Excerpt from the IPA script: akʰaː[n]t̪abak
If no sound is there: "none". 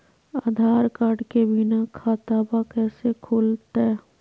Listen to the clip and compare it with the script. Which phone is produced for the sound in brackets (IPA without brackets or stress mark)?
none